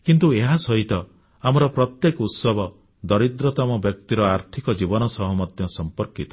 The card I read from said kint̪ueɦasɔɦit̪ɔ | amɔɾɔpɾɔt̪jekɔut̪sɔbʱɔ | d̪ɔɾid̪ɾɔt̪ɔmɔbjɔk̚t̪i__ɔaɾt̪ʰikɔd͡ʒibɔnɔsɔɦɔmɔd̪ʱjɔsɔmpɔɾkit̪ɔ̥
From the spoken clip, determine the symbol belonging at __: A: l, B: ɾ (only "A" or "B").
B